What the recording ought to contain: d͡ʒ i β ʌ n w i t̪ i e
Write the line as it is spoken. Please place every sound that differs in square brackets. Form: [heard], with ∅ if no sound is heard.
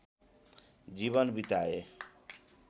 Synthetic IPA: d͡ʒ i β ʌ n [b] i t̪ [a] e